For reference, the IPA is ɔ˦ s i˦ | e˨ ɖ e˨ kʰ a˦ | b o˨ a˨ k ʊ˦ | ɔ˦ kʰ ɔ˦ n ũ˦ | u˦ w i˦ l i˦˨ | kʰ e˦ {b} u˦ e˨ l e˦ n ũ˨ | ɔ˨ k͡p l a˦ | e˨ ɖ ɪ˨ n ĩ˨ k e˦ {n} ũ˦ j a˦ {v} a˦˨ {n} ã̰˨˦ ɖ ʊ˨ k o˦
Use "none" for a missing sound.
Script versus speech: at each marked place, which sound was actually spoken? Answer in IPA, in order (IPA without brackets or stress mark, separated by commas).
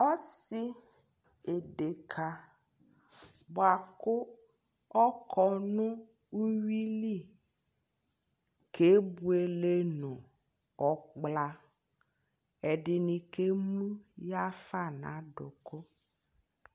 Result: b, m, f, n